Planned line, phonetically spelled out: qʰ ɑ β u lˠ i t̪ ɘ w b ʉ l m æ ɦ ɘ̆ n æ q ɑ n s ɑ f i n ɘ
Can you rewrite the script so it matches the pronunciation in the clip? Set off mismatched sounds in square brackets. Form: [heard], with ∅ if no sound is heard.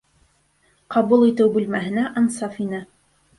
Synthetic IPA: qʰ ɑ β u lˠ i t̪ ɘ w b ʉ l m æ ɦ ɘ̆ n æ [ʔ] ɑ n s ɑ f i n ɘ